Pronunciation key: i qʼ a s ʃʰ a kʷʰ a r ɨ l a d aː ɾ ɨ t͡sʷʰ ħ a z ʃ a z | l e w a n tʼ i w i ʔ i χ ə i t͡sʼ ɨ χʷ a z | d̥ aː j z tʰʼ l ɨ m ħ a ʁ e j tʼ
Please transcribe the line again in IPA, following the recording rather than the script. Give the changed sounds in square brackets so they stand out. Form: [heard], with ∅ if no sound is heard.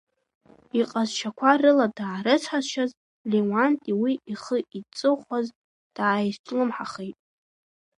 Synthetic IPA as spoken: i qʼ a [z] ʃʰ a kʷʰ a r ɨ l a d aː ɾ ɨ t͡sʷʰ ħ a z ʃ a z | l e w a n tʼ i w i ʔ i χ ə i t͡sʼ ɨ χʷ a z | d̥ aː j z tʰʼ l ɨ m ħ a [χ] e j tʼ